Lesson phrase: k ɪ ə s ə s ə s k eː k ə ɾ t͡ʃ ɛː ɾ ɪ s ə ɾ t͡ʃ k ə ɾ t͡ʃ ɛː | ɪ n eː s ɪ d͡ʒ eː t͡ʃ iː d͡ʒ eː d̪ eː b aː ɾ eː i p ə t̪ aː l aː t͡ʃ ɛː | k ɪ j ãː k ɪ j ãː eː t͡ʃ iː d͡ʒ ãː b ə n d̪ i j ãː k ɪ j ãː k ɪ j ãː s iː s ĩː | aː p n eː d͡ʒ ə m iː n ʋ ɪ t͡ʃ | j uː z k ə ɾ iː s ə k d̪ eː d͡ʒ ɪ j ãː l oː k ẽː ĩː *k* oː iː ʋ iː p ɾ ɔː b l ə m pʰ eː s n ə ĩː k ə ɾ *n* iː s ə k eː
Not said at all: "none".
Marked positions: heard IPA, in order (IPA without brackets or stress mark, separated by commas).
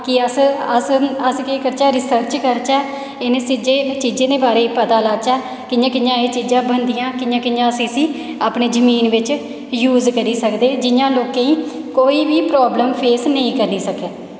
k, n